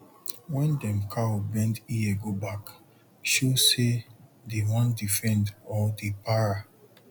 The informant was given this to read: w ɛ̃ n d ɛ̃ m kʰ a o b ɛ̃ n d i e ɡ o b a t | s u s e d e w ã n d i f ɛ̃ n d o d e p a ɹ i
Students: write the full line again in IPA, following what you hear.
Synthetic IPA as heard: w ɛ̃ n d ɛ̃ m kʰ a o b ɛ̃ n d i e ɡ o b a k | ʃ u s e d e w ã n d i f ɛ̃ n d ɔ d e p a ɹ a